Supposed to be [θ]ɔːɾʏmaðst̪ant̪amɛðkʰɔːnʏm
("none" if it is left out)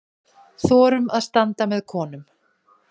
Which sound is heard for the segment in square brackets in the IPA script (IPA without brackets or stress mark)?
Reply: θ